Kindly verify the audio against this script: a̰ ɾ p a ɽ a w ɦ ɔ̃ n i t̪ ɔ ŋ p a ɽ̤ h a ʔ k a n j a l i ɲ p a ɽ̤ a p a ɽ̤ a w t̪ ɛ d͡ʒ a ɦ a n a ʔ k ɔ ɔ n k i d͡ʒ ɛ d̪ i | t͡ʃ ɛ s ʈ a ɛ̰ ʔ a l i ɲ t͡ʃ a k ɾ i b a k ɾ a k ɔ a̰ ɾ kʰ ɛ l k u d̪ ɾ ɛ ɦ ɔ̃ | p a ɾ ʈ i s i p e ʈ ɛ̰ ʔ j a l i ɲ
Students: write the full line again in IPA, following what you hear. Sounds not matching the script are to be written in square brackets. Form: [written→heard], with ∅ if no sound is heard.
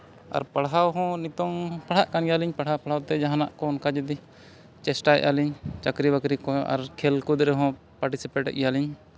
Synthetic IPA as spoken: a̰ ɾ p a ɽ a w ɦ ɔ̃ n i t̪ ɔ ŋ p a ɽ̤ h a ʔ k a n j a l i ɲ p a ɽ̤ a p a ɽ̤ a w t̪ ɛ d͡ʒ a ɦ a n a ʔ k ɔ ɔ n k [i→a] d͡ʒ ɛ d̪ i | t͡ʃ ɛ s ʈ a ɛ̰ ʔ a l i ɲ t͡ʃ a k ɾ i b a k ɾ [a→i] k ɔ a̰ ɾ kʰ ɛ l k u d̪ ɾ ɛ ɦ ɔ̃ | p a ɾ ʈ i s i p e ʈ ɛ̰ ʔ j a l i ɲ